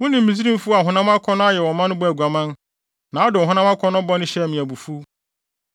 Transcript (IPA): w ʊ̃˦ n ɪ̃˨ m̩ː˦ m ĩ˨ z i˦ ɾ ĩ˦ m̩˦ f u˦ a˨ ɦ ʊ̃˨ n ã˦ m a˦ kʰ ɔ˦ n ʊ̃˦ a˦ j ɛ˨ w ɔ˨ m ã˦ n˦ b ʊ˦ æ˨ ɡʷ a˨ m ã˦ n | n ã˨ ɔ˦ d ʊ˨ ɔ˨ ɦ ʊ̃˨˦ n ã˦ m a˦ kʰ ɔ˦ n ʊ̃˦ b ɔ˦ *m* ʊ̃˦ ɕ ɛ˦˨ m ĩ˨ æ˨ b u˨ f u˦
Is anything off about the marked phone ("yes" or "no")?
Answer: yes